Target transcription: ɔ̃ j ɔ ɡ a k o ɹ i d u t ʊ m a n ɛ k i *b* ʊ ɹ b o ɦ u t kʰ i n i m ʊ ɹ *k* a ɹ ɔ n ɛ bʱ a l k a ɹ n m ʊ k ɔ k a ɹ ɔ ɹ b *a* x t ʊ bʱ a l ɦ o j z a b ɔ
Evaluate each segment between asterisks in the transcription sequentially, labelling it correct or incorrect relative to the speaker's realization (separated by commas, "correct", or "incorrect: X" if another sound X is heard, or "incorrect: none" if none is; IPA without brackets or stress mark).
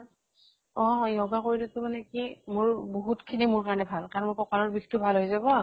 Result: incorrect: m, correct, incorrect: i